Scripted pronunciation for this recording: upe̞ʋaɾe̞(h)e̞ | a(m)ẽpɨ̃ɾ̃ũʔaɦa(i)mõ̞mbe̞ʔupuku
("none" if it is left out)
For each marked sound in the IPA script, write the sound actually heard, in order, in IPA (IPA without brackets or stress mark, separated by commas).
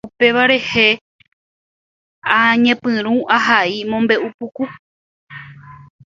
h, ɲ, i